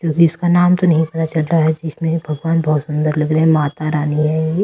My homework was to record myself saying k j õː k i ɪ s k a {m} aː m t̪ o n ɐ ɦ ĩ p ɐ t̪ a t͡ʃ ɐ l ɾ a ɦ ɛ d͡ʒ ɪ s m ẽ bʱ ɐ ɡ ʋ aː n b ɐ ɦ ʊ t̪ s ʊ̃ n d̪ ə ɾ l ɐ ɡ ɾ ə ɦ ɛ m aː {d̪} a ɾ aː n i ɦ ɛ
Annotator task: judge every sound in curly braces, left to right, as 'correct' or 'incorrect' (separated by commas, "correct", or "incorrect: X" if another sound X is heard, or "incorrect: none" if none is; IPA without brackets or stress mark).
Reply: incorrect: n, incorrect: t̪